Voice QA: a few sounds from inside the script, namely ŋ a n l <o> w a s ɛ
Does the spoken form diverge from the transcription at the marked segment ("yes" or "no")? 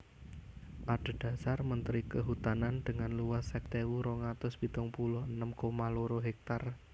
yes